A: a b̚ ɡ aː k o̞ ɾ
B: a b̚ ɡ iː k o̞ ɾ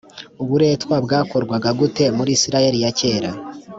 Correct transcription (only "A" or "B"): A